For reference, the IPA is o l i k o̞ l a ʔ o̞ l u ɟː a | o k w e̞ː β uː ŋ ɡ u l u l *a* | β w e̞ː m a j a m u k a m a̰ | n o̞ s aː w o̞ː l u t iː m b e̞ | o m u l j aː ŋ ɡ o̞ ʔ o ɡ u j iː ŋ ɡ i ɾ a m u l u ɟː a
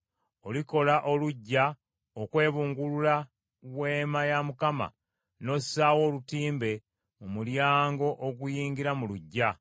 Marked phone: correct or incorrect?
correct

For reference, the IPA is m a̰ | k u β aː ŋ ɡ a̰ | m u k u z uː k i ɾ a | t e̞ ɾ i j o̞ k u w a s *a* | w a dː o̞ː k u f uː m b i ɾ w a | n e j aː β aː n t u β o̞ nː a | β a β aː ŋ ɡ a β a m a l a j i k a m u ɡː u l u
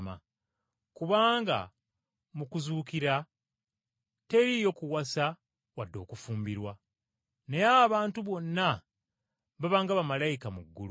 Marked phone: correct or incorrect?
correct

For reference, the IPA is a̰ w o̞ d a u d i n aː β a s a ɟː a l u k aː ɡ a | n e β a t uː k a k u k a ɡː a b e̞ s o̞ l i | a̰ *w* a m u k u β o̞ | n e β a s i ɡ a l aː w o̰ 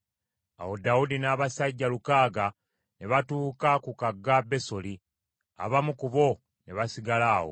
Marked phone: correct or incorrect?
incorrect: β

